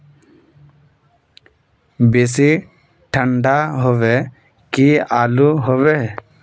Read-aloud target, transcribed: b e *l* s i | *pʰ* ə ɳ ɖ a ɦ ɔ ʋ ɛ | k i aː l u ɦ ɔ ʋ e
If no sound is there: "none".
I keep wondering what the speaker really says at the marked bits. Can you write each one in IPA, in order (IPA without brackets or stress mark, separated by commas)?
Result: none, ʈʰ